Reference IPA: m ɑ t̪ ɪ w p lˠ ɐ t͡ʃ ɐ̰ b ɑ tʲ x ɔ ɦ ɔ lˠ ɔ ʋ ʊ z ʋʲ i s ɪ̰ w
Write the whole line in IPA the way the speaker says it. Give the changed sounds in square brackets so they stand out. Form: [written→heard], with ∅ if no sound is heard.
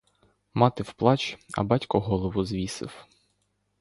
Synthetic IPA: m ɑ t̪ ɪ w p lˠ [ɐ→ɑ] t͡ʃ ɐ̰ b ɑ tʲ [x→k] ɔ ɦ ɔ lˠ ɔ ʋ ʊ z ʋʲ i s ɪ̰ w